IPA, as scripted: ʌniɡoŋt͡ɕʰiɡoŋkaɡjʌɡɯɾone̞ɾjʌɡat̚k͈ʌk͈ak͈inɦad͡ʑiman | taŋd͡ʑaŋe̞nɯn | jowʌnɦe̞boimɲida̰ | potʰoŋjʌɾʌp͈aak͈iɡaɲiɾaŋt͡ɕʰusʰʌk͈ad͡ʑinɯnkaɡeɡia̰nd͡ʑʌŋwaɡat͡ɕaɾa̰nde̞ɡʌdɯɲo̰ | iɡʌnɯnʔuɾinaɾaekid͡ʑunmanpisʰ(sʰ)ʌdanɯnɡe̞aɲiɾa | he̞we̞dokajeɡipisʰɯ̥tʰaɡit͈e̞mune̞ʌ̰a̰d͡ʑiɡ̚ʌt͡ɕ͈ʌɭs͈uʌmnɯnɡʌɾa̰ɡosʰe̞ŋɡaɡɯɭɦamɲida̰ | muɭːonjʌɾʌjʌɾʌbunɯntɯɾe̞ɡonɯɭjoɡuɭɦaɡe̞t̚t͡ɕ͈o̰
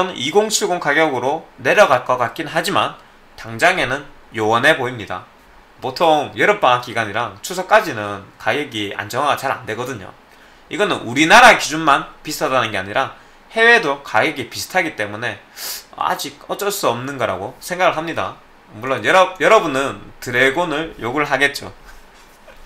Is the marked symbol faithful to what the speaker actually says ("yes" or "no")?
no